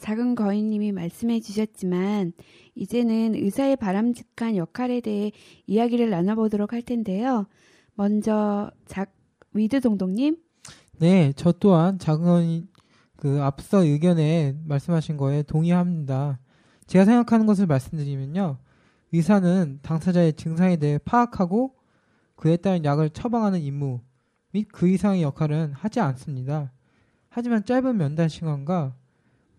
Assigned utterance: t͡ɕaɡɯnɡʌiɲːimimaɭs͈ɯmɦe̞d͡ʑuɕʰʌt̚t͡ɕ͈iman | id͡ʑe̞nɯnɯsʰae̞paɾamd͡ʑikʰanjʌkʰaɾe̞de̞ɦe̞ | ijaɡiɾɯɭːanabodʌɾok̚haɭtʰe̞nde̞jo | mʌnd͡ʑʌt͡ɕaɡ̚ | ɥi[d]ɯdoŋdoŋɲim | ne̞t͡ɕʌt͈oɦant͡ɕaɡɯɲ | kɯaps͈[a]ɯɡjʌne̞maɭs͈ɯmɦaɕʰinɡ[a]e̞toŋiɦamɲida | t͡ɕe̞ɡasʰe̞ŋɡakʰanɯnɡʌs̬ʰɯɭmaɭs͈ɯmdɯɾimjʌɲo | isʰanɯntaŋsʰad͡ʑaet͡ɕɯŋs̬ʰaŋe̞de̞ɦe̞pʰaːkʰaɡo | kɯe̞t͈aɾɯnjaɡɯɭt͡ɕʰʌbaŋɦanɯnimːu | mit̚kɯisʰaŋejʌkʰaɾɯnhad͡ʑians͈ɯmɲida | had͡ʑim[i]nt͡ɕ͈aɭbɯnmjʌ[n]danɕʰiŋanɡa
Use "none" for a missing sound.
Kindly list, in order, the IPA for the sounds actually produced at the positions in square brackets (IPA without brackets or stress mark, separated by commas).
d, ʌ, ʌ, a, n